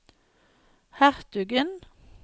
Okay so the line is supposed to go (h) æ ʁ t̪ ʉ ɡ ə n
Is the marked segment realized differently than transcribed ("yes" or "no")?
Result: no